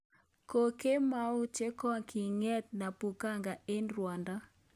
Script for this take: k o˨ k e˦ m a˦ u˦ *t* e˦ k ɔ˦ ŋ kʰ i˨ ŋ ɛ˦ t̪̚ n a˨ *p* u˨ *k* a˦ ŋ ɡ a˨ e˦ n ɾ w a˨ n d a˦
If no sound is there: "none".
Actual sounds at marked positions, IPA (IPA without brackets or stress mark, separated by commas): t͡ʃ, p, k